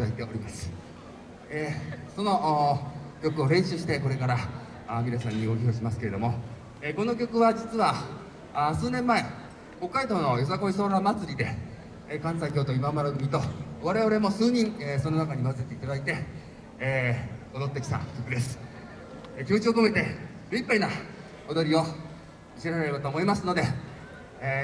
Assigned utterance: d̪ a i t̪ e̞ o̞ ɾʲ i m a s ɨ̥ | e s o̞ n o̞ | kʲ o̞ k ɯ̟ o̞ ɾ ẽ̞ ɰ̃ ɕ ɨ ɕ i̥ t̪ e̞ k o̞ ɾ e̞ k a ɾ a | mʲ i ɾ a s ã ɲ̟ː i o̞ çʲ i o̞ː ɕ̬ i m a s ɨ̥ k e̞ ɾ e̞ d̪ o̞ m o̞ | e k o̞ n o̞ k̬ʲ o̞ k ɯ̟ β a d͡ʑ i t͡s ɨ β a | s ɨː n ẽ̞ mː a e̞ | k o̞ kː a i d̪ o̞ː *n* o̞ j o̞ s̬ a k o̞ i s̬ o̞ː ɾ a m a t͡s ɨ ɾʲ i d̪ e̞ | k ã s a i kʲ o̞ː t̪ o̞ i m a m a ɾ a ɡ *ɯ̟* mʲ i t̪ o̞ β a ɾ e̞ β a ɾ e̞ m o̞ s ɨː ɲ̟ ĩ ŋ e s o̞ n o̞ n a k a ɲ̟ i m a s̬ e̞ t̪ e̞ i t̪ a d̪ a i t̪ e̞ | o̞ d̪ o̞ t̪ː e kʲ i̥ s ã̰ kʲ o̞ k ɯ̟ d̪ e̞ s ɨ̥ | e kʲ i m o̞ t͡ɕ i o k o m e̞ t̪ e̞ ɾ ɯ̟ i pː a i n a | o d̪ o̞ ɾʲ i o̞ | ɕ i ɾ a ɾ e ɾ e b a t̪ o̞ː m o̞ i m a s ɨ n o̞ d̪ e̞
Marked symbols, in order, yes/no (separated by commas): yes, yes